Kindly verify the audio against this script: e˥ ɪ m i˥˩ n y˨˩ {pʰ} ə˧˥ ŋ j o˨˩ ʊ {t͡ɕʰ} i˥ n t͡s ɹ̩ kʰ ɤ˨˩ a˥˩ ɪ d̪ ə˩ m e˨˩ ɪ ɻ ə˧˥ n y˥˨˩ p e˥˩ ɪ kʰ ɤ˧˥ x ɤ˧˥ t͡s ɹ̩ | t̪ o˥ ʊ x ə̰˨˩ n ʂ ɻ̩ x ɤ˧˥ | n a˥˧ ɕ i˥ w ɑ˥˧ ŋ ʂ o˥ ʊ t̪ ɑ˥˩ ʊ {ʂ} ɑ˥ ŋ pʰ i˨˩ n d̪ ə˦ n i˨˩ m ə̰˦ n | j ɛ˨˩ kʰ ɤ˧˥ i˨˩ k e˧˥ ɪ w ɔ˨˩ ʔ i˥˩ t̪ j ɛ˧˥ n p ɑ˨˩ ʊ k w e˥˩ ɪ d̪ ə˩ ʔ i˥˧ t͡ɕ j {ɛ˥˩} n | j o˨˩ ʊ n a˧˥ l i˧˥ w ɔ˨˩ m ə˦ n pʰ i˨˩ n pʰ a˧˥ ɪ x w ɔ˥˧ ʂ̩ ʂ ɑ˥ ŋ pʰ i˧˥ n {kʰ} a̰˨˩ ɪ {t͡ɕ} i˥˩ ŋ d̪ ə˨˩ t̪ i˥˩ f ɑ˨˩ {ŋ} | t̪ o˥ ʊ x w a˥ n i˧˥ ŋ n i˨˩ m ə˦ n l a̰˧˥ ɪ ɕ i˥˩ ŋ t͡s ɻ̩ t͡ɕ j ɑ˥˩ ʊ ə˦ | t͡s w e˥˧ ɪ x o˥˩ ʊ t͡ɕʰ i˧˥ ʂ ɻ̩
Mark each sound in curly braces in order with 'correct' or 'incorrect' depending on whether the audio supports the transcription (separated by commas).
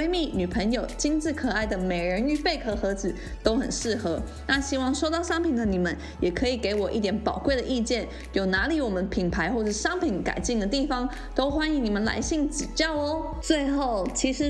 correct, incorrect, correct, correct, incorrect, correct, correct